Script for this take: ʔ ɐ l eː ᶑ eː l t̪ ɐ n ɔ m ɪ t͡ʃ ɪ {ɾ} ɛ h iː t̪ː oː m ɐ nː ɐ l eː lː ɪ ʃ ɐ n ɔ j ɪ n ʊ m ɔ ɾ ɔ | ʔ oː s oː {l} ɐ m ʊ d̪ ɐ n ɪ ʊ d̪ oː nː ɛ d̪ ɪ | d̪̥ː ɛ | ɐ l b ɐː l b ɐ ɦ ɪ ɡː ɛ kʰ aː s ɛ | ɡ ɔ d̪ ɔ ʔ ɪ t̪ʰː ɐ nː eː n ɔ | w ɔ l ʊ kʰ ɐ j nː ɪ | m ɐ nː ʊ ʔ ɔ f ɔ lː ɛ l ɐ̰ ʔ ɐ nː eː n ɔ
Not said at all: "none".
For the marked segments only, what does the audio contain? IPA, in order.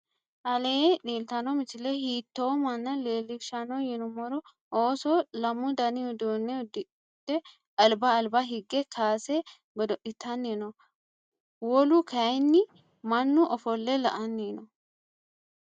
l, l

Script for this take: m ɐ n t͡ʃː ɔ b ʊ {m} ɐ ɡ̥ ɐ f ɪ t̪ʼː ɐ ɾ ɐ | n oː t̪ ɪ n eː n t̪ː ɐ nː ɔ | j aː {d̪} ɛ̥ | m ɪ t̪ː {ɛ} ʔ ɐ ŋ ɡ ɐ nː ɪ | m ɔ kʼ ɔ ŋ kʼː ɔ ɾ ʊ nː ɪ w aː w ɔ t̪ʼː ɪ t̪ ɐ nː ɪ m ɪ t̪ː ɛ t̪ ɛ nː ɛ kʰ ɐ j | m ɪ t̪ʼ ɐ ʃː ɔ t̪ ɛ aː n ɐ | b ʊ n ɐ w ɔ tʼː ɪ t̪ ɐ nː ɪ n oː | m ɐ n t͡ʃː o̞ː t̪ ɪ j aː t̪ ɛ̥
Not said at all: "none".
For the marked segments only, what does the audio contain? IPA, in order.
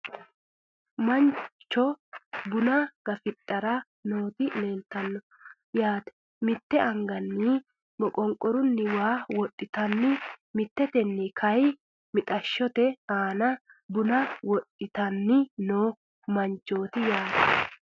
n, t̪, ɛ

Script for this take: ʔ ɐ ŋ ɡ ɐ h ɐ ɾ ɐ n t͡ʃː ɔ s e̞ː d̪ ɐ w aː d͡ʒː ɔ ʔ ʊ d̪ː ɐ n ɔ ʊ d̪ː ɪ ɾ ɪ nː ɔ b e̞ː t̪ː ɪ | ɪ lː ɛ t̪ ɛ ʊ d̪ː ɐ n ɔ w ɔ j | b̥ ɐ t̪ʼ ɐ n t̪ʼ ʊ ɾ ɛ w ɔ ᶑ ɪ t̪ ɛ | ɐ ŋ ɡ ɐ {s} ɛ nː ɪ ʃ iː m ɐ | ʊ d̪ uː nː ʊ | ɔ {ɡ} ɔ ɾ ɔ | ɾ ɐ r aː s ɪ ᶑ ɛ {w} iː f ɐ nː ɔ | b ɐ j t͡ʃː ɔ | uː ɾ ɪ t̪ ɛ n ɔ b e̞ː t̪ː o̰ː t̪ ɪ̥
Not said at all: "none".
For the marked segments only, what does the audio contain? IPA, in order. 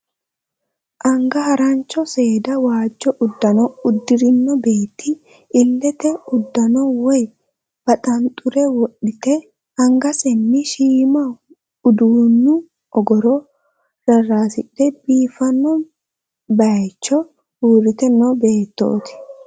s, ɡ, b

